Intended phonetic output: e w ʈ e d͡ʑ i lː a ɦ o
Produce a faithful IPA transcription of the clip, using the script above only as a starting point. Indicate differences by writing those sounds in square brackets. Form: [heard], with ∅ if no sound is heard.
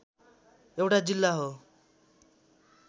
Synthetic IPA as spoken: e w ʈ [a] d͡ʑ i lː a ɦ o

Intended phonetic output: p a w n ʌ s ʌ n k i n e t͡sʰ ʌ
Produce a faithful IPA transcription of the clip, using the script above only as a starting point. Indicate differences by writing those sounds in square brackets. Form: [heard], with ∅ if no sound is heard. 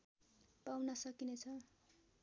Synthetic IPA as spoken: p a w n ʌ s ʌ [∅] k i n e t͡sʰ ʌ

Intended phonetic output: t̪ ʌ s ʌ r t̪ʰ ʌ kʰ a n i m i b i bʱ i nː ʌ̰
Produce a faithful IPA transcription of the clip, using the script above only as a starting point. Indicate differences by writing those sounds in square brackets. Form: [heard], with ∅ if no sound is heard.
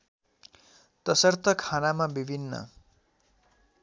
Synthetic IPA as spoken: t̪ ʌ s ʌ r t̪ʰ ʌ kʰ a n [a] m [a] b i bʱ i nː ʌ̰

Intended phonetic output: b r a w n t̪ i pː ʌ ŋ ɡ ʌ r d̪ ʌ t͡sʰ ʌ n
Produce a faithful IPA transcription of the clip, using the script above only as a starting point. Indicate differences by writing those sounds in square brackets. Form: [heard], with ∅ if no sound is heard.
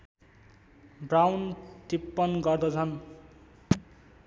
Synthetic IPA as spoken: b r a w n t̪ i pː ʌ [n] ɡ ʌ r d̪ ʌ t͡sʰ ʌ n

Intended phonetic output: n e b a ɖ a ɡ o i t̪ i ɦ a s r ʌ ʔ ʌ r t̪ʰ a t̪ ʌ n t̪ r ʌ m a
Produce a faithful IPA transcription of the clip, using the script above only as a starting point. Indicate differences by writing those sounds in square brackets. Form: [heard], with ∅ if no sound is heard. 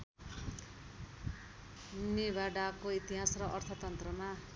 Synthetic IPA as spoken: n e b a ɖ a [k] o i t̪ i ɦ a s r ʌ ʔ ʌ r t̪ʰ [ʌ] t̪ ʌ n t̪ r ʌ m a

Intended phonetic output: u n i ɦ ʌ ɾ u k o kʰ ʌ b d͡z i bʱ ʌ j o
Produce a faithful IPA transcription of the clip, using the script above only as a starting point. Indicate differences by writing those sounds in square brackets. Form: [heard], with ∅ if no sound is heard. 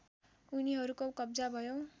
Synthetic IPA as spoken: u n i ɦ ʌ ɾ u k o [k] ʌ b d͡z [a] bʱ ʌ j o

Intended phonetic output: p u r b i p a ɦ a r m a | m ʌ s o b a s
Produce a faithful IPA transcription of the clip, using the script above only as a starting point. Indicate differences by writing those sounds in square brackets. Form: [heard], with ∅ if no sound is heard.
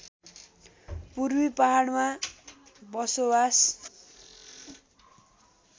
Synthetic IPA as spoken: p u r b i p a ɦ a [ɽ] m a | [b] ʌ s o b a s

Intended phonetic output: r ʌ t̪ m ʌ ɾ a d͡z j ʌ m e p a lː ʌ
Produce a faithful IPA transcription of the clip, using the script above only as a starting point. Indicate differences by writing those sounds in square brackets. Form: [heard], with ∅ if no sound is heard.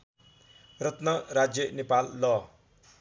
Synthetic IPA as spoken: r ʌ t̪ [n] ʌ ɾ a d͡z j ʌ [n] e p a lː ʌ

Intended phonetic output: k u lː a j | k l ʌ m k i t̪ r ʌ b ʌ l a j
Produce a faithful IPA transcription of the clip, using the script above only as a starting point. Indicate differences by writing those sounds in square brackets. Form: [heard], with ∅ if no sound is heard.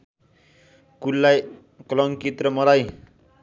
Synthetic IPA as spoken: k u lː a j | k l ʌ [ŋ] k i t̪ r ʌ [m] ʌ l a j

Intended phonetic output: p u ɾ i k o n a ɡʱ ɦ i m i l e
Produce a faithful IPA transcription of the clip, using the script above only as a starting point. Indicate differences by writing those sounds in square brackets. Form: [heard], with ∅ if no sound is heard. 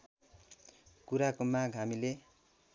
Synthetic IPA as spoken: [k] u ɾ [a] k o [m] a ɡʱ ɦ [a] m i l e

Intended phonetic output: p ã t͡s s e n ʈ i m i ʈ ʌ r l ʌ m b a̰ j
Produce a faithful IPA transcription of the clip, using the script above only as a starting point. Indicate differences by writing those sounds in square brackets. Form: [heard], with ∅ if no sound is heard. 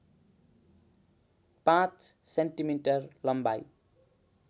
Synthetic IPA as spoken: p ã t͡s s e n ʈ i m i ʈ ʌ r l ʌ m b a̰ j

